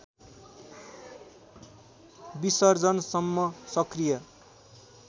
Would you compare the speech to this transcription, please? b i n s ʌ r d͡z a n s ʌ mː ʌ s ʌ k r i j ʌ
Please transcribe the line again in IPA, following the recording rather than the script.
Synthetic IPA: b i s ʌ r d͡z ʌ n s ʌ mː ʌ s ʌ k r i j ʌ